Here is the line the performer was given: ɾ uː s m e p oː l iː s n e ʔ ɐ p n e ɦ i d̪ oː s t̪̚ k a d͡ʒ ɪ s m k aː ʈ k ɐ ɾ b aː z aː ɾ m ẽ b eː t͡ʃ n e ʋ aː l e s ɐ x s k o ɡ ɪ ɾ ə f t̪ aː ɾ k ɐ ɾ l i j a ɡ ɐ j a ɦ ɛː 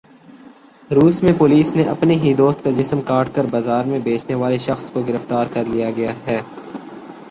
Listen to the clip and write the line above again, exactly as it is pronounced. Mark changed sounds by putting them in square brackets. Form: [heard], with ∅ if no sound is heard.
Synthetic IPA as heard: ɾ uː s m [ẽ] p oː l iː s n e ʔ ɐ p n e ɦ i d̪ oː s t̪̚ k a d͡ʒ ɪ s m k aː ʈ k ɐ ɾ b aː z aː ɾ m ẽ b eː t͡ʃ n e ʋ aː l e [ʃ] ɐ x s k o ɡ ɪ ɾ ə f t̪ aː ɾ k ɐ ɾ l i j a ɡ ɐ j a ɦ ɛː